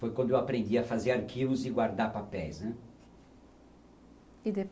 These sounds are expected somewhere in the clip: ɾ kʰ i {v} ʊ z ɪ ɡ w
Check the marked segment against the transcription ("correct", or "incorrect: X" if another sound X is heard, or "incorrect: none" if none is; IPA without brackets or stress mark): correct